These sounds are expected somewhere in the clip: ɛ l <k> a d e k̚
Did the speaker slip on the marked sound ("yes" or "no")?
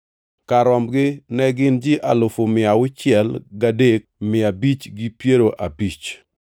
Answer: yes